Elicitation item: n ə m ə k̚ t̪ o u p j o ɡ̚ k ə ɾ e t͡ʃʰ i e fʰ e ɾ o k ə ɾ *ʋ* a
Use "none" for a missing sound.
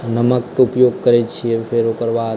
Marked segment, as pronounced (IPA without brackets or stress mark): ʋ